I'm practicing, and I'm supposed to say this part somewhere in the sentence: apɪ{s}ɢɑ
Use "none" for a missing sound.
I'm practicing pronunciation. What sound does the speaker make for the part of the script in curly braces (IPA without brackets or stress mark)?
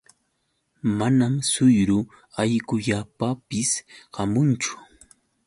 s